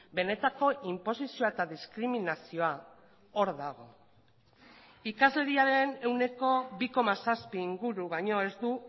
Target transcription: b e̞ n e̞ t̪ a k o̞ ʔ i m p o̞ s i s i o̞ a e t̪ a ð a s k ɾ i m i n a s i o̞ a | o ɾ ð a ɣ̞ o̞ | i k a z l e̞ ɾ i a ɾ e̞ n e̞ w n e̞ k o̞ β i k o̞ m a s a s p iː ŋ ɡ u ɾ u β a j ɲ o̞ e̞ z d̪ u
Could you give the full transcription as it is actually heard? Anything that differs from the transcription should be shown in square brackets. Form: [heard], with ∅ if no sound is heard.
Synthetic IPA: b e̞ n e̞ t̪ a k o̞ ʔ i m p o̞ s i s i o̞ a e t̪ a ð [i] s k ɾ i m i n a s i o̞ a | o ɾ ð a ɣ̞ o̞ | i k a z l e̞ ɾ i a ɾ e̞ n e̞ w n e̞ k o̞ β i k o̞ m a s a s p iː ŋ ɡ u ɾ u β a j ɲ o̞ e̞ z d̪ u